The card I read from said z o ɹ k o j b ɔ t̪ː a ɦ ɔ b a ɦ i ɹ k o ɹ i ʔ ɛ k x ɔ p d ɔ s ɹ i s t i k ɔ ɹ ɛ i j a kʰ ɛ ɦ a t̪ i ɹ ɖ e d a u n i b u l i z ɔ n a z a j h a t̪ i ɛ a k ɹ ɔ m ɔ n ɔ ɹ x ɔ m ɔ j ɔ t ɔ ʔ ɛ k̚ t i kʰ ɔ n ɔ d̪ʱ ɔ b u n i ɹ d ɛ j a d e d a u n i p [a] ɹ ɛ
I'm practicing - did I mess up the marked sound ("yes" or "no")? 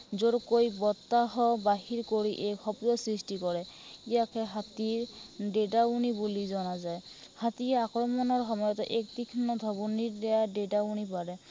no